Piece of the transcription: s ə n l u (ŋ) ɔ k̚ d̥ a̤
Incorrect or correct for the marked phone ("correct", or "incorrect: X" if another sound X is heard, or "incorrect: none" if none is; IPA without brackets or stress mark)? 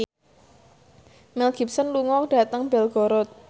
correct